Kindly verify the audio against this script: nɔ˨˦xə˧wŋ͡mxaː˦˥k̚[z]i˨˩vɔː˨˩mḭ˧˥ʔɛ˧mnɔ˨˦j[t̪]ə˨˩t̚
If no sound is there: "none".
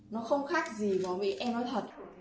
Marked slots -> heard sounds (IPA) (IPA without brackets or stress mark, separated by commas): z, t̪ʰ